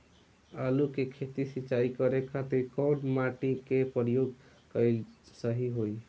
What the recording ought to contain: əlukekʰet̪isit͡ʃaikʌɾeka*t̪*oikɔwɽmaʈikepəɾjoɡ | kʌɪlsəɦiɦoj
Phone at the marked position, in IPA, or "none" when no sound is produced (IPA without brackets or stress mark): t̪